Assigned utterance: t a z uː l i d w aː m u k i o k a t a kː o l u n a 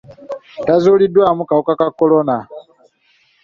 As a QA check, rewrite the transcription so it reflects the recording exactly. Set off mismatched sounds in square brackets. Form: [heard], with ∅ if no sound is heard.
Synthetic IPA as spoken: t a z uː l i d w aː m u k [a] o k a [k] a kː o l [o] n a